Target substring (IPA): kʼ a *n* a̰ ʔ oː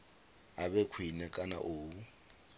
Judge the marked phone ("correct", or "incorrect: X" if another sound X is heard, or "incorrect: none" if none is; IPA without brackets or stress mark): correct